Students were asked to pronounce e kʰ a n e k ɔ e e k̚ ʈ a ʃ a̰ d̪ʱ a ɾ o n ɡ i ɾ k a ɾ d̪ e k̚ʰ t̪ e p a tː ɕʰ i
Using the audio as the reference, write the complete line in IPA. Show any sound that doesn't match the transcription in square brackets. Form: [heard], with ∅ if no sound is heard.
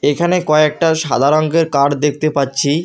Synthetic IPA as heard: e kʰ a n e k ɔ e e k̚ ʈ a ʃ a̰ d̪ʱ a ɾ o [ŋ] ɡ [e] ɾ k a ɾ d̪ e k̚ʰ t̪ e p a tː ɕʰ i